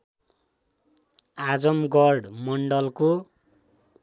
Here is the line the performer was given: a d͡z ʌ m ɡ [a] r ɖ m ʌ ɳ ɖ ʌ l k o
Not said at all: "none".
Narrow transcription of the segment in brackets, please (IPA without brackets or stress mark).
ʌ